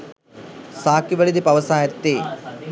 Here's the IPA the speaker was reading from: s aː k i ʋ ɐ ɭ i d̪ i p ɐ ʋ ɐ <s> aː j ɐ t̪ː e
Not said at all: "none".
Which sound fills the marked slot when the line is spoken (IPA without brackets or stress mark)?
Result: s